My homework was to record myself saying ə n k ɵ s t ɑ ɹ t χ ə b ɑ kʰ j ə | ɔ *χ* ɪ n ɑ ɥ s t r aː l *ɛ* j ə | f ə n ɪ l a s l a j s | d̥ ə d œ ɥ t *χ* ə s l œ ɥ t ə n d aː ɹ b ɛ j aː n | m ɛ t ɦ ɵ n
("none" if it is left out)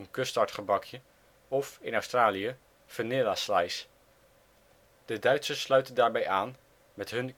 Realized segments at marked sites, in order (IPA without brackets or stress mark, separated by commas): f, i, s